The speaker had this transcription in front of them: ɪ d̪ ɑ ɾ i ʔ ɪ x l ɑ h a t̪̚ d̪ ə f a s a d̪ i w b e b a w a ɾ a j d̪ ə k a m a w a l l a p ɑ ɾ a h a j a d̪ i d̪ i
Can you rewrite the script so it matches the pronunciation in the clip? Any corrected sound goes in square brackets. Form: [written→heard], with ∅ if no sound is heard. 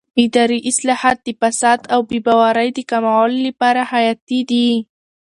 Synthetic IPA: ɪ d̪ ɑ ɾ i ʔ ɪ [x→s] l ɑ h a t̪̚ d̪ ə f a s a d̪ [i→a] w b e b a w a ɾ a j d̪ ə k a m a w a l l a p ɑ ɾ a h a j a [d̪→t̪] i d̪ i